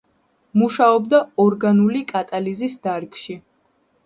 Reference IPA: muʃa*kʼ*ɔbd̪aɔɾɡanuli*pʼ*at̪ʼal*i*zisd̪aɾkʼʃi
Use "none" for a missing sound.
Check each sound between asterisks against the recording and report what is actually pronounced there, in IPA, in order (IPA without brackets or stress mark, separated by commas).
none, kʼ, i